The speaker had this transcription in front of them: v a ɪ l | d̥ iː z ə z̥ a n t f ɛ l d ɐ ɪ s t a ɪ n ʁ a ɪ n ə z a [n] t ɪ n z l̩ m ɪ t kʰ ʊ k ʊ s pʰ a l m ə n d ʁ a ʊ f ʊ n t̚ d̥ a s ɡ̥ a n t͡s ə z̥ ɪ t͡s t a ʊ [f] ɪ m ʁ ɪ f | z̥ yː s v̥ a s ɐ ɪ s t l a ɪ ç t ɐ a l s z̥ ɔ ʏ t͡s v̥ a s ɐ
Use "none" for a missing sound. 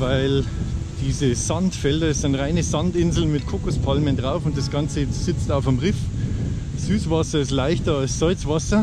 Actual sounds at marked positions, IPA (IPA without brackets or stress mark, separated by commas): n, f